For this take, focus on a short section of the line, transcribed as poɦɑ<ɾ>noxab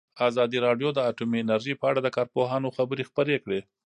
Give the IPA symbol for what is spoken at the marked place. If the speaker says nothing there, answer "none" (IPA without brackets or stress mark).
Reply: none